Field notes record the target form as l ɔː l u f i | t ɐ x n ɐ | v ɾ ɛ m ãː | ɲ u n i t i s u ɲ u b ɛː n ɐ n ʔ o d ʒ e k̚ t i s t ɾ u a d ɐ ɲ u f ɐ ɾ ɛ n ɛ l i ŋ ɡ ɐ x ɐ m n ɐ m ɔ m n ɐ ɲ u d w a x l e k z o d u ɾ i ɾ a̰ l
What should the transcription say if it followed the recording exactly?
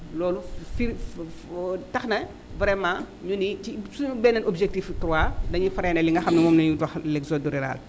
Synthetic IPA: l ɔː l u f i | t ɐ x n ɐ | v ɾ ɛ m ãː | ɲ u n i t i s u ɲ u b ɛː n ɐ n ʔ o b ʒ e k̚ t i f t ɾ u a d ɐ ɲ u f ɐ ɾ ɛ n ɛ l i ŋ ɡ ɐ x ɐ m n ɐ m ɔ m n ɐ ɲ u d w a x l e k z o d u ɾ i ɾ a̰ l